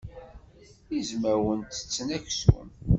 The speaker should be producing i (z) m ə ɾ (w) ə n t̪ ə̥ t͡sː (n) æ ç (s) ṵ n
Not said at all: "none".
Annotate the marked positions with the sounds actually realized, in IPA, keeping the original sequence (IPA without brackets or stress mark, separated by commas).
z, w, n, s